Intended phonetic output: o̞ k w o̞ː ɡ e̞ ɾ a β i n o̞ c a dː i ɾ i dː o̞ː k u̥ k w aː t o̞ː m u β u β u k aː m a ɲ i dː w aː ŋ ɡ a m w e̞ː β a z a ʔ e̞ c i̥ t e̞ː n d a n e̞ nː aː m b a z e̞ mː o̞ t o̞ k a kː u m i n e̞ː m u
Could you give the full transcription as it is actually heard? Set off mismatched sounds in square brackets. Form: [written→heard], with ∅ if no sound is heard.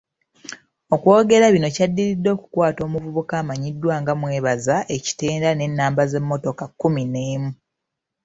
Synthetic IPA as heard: o̞ k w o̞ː ɡ e̞ ɾ a β i n o̞ c a dː i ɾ i dː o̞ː k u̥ k w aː t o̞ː m u [β→v] u β u k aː m a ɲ i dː w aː ŋ ɡ a m w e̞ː β a z a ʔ e̞ c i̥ t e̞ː n d a n e̞ nː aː m b a z e̞ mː o̞ t o̞ k a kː u m i n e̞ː m u